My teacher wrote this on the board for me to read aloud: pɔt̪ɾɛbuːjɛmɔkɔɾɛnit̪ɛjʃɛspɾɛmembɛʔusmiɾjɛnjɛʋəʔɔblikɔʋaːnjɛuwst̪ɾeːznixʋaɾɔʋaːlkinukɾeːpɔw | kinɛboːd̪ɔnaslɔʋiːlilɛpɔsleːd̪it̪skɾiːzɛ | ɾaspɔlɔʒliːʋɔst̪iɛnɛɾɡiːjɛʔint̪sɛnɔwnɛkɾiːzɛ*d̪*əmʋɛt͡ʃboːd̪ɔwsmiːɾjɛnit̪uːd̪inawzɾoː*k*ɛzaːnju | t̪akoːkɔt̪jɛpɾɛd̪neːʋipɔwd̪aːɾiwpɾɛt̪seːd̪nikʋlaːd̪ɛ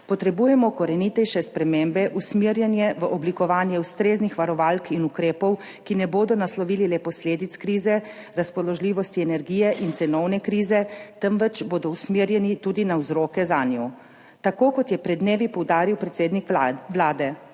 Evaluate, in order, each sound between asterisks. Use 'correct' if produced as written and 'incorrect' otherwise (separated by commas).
incorrect, correct